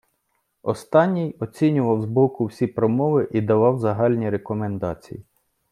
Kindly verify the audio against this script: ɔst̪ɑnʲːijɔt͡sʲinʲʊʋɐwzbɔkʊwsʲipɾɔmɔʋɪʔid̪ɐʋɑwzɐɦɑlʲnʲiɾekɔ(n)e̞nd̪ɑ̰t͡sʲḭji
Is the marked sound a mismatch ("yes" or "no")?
yes